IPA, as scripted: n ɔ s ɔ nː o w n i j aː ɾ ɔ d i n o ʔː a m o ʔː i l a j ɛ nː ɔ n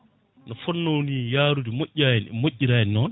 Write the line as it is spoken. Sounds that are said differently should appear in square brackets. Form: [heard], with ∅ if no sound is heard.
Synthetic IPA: n ɔ [f] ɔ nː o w n i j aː ɾ [u] d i [m] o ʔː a m o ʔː i [ɾ] a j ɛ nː ɔ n